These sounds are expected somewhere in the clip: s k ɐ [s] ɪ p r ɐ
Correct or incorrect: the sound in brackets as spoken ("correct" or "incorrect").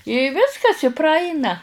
correct